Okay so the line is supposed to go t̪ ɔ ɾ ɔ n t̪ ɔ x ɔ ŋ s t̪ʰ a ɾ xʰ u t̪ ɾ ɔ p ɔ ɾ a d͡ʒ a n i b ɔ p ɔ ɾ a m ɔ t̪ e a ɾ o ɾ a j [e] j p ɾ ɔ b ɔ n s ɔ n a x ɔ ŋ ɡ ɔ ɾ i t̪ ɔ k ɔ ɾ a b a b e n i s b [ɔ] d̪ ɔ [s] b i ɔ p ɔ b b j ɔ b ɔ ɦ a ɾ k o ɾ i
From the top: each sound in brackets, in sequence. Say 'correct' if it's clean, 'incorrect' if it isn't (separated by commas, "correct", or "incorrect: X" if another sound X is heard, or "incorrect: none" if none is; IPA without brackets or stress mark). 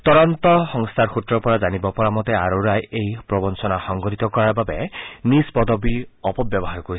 correct, correct, incorrect: none